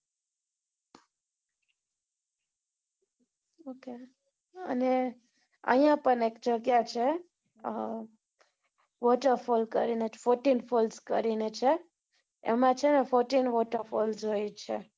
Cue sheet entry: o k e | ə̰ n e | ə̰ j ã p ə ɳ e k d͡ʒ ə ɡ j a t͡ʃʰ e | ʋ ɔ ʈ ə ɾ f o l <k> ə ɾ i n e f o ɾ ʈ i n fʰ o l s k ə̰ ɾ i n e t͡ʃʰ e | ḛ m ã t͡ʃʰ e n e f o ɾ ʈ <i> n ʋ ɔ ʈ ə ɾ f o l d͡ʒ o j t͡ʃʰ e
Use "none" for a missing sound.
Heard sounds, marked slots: k, i

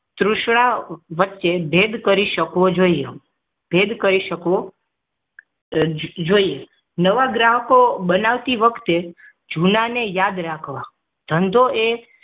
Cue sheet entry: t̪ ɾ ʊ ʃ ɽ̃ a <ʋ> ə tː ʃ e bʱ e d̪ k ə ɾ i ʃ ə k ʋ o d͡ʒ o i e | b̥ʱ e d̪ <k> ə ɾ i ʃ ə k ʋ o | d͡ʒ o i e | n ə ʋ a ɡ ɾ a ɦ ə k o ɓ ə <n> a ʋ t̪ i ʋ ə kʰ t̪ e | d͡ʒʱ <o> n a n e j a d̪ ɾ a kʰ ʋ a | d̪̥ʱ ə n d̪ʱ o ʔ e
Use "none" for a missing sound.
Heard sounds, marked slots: ʋ, k, n, u

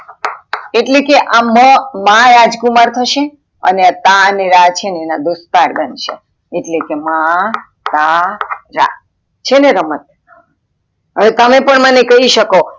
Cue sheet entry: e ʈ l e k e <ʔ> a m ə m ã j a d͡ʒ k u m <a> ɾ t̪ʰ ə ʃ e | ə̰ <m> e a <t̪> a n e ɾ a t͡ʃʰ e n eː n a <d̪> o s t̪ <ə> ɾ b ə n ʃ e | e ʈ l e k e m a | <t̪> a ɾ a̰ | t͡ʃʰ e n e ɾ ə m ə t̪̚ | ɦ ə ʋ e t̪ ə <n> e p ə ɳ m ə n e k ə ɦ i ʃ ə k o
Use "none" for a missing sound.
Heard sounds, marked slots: ʔ, a, n, t̪, d̪, a, t̪, m

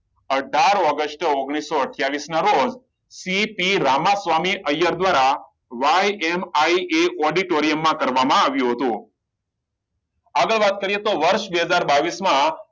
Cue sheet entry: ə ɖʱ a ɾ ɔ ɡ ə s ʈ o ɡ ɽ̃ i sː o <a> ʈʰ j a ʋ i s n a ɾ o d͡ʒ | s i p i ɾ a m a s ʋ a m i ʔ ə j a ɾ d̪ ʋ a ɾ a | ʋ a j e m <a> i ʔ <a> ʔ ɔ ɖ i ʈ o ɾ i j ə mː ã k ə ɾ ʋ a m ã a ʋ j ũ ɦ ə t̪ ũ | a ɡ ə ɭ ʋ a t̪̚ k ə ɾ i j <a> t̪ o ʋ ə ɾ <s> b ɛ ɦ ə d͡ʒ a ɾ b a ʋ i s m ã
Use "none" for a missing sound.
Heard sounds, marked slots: ə, a, e, e, ʃ

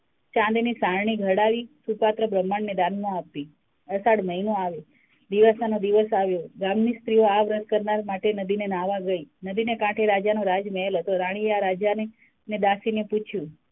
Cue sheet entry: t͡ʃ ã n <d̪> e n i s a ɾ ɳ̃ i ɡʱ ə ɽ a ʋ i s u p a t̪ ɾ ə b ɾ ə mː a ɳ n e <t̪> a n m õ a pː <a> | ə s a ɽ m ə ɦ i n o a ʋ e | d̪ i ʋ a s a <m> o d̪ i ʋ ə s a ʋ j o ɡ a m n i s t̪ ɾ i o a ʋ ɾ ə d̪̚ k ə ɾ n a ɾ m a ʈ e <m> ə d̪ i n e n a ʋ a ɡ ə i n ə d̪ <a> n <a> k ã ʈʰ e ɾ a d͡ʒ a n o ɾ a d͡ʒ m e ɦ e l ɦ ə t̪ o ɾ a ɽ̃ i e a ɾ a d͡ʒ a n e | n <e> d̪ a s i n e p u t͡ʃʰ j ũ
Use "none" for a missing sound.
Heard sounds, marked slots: d̪, d̪, i, n, n, i, e, e

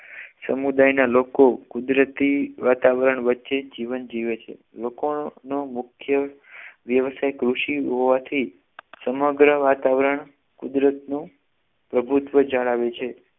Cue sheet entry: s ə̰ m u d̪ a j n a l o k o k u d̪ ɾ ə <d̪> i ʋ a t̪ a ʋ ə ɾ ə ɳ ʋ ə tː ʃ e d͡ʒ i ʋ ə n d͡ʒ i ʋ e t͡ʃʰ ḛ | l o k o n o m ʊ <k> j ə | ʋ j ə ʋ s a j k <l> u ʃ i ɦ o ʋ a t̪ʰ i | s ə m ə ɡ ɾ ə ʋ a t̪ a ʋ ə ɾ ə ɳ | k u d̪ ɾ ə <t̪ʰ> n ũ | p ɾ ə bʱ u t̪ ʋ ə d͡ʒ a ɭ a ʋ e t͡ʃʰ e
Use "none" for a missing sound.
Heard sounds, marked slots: t̪, kʰ, ɾ, t̪

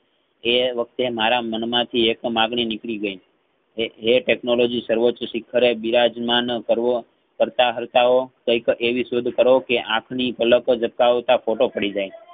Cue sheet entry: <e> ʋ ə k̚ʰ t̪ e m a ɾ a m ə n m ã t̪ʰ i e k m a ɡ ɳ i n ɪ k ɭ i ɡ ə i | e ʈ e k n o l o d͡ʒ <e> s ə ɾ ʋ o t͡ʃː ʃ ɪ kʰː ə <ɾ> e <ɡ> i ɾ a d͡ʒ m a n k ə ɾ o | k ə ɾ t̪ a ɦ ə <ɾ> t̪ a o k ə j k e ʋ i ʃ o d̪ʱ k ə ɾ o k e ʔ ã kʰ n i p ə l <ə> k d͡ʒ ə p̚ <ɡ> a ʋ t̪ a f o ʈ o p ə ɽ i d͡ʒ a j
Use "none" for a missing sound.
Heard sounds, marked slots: e, i, ɾ, b, ɾ, ə, k

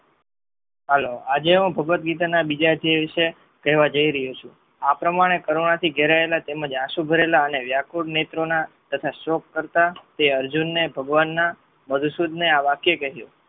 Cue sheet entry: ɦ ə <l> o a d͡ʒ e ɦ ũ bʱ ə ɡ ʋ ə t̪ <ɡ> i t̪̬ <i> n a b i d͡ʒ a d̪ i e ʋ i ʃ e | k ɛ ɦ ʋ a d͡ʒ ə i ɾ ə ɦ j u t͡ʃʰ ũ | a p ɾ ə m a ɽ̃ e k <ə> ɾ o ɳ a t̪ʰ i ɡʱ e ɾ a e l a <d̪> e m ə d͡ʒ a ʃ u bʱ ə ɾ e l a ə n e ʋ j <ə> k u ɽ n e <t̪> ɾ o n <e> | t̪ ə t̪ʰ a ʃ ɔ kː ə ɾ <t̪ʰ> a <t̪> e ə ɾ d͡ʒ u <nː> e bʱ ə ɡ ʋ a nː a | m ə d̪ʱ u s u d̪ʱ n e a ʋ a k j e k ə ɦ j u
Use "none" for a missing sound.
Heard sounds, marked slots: l, ɡ, a, ə, t̪, a, t̪, a, t̪, t̪, nː

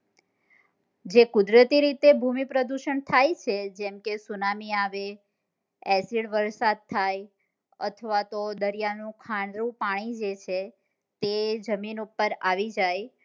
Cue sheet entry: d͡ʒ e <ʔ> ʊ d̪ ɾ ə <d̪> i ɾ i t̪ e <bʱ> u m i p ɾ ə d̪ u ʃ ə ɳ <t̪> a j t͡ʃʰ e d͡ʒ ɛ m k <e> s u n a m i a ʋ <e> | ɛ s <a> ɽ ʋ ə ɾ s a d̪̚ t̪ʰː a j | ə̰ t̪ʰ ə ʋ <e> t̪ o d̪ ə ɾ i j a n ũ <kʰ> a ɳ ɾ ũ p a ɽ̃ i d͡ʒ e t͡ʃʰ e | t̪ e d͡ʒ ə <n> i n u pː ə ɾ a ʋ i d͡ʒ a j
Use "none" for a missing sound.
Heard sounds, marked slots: k, t̪, bʱ, t̪ʰ, e, e, i, a, kʰ, m

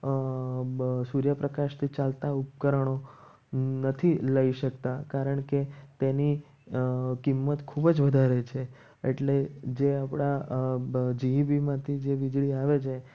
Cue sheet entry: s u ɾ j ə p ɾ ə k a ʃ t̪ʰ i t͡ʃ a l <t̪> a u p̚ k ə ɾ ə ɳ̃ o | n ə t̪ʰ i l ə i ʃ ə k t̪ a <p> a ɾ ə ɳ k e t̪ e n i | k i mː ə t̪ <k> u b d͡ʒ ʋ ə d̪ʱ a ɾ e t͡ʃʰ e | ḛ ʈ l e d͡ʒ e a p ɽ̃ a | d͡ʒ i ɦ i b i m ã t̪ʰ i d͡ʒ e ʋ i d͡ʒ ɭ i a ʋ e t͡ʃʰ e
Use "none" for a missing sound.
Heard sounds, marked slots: t̪, k, kʰ

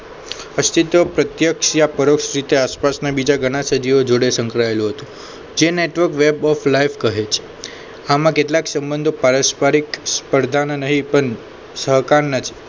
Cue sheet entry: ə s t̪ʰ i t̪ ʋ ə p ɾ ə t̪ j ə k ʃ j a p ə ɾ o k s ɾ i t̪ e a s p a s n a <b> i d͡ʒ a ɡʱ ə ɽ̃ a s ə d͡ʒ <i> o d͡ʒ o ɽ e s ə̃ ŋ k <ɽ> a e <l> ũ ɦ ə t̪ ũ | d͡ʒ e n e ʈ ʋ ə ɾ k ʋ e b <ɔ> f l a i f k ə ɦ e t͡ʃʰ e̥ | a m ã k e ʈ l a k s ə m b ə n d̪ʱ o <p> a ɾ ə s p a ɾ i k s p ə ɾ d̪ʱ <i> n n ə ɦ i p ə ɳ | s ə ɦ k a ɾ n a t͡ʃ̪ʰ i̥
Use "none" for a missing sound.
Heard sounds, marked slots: b, i, ɾ, l, ɔ, p, a

